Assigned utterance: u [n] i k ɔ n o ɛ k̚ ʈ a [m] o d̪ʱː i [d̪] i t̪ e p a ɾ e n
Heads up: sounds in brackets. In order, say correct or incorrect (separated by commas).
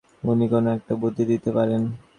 correct, incorrect, correct